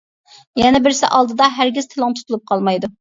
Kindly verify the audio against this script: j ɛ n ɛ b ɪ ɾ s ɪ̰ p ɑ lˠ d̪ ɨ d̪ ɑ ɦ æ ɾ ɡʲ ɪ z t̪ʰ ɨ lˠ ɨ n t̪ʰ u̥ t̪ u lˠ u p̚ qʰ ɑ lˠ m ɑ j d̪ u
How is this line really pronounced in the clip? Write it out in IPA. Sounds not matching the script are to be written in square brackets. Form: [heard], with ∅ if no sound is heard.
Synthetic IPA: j ɛ n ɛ b ɪ ɾ s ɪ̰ [ʔ] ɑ lˠ d̪ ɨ d̪ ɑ ɦ æ ɾ ɡʲ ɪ z t̪ʰ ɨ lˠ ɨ [ŋ] t̪ʰ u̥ t̪ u lˠ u p̚ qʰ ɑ lˠ m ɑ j d̪ u

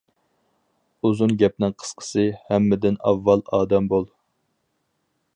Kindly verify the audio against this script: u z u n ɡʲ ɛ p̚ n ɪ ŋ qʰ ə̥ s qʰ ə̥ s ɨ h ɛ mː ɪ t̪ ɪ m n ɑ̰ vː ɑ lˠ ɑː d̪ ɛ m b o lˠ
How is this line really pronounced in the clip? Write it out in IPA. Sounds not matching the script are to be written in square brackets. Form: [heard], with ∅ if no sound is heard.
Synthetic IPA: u z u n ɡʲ ɛ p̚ n ɪ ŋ qʰ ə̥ s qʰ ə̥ s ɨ h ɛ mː ɪ [d̪] ɪ [∅] n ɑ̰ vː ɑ lˠ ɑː d̪ ɛ m b o lˠ

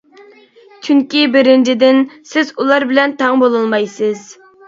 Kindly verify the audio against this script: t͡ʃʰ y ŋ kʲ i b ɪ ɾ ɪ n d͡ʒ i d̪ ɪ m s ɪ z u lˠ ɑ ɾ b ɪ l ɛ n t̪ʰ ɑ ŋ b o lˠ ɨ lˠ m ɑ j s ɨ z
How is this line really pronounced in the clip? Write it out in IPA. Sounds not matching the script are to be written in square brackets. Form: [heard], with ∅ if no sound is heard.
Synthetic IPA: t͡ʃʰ y ŋ kʲ i b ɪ ɾ ɪ n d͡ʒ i d̪ ɪ [n] s ɪ z u lˠ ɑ ɾ b ɪ l ɛ n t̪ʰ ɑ ŋ b o lˠ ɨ lˠ m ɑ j s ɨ z

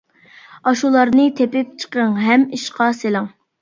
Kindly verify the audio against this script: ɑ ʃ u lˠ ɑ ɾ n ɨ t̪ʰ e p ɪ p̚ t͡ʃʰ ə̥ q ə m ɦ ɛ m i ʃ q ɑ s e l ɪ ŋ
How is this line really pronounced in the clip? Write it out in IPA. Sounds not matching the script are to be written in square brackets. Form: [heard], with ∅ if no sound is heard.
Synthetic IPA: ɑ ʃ u lˠ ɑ ɾ n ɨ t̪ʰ e p ɪ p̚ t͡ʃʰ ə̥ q ə [ŋ] ɦ ɛ m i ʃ q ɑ s e l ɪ ŋ

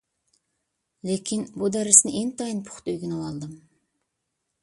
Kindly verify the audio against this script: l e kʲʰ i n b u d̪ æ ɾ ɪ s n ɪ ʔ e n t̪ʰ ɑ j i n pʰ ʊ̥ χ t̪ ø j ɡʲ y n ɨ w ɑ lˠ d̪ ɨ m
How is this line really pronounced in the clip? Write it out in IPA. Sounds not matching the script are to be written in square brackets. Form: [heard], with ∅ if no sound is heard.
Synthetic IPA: l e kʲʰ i n b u d̪ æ ɾ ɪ s n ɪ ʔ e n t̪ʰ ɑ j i n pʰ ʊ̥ χ t̪ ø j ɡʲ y n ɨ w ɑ lˠ d̪ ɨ m

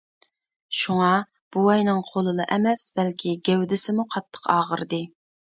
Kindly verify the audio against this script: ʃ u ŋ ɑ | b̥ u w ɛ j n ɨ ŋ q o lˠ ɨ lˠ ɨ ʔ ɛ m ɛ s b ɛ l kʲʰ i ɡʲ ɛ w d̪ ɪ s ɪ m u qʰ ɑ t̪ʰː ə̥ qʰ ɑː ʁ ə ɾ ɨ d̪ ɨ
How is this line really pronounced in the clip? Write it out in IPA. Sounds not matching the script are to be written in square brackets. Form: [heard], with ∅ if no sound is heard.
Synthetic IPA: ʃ u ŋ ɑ | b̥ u w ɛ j n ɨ ŋ [qʰ] o lˠ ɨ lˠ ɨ ʔ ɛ m ɛ s b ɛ l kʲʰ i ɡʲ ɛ w d̪ ɪ s ɪ m u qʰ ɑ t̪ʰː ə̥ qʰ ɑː ʁ ə ɾ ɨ d̪ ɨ

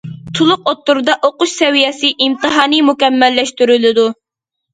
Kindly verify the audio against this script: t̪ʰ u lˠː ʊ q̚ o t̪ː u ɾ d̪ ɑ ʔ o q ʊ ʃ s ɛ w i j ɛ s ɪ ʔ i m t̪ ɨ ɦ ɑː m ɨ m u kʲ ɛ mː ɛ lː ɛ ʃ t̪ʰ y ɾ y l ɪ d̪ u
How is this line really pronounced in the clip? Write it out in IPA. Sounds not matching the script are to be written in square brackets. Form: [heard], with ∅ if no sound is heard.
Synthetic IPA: t̪ʰ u [lˠ] ʊ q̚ o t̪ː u ɾ d̪ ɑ ʔ o q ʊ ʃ s ɛ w i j ɛ s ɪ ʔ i m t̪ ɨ ɦ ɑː [n] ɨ m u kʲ ɛ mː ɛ lː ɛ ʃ [t̪] y ɾ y l ɪ d̪ u

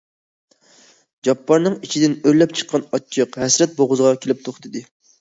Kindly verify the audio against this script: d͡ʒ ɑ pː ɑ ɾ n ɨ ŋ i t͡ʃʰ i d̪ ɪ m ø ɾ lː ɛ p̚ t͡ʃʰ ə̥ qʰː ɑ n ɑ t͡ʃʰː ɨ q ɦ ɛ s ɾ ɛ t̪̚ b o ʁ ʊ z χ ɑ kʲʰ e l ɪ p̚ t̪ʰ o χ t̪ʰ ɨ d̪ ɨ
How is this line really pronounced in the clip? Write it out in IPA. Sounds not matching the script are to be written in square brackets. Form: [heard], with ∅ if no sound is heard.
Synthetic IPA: d͡ʒ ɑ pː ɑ ɾ n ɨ ŋ i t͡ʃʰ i d̪ ɪ [n] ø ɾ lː ɛ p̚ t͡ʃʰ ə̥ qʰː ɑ n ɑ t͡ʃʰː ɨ q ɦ ɛ s ɾ ɛ t̪̚ b o ʁ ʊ z [ʁ] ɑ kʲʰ e l ɪ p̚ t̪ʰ o χ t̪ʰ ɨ d̪ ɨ

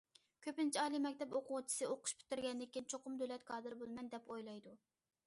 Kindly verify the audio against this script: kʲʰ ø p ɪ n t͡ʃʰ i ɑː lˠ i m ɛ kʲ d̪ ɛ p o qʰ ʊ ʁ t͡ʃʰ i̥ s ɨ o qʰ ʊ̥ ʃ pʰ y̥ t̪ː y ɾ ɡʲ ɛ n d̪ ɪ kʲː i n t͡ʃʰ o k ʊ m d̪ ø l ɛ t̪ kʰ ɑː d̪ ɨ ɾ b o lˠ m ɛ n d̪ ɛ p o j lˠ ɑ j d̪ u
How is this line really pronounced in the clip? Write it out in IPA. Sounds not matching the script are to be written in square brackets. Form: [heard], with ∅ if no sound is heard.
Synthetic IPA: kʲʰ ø p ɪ n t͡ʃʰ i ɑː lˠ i m ɛ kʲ [t̪] ɛ p o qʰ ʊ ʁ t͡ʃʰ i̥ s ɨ o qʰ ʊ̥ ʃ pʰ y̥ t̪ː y ɾ ɡʲ ɛ n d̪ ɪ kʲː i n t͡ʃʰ o [q] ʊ m d̪ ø l ɛ t̪ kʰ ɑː d̪ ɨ ɾ b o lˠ m ɛ n d̪ ɛ p o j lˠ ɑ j d̪ u

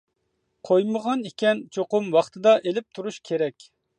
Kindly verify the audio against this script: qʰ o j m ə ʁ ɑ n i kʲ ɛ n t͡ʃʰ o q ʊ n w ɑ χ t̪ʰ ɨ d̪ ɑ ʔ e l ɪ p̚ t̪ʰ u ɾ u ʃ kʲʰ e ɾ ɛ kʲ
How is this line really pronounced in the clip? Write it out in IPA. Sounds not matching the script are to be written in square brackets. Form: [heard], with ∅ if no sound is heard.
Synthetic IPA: qʰ o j m ə ʁ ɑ n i kʲ ɛ n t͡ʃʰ o q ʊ [m] w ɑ χ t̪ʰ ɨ d̪ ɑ ʔ e l ɪ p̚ t̪ʰ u ɾ u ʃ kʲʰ e ɾ ɛ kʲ

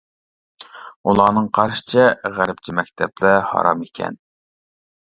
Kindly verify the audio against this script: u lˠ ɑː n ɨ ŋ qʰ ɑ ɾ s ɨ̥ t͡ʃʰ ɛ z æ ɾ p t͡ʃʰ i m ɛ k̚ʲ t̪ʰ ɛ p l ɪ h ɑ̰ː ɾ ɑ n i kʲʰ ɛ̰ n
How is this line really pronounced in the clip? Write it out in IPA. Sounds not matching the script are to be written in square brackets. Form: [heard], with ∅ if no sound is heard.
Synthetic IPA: u lˠ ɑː n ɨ ŋ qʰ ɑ ɾ [ʃ] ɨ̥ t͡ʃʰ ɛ [ʁ] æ ɾ p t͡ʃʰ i m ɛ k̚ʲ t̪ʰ ɛ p l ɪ h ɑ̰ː ɾ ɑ [m] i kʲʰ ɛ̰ n

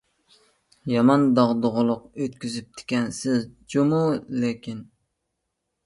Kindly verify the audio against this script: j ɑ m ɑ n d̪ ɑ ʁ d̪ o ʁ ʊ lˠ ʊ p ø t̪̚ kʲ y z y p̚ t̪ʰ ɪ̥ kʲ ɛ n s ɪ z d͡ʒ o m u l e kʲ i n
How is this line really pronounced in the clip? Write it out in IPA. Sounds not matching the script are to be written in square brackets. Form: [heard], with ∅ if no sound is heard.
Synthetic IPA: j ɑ m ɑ n d̪ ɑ ʁ d̪ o ʁ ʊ lˠ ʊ [q] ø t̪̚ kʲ y z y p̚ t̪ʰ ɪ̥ kʲ ɛ n s ɪ z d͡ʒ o m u l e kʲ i n

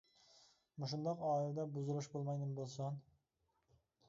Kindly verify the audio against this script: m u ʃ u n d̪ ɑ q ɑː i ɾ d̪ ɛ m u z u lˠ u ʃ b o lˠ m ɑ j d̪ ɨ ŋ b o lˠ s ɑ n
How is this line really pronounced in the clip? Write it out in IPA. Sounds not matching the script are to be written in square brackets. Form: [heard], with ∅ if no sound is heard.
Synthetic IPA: m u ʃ u n d̪ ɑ q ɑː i [l] d̪ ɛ [b] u z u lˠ u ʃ b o lˠ m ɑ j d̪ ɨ [m] b o lˠ s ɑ n

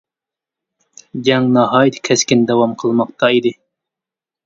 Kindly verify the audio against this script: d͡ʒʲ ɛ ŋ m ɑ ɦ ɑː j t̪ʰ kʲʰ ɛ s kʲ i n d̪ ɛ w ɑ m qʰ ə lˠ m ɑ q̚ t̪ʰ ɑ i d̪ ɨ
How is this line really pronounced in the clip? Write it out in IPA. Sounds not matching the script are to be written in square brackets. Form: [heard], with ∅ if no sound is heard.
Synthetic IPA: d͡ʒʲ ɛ ŋ [n] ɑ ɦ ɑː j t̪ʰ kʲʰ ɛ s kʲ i n d̪ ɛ w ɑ m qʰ ə lˠ m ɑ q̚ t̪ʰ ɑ i d̪ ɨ

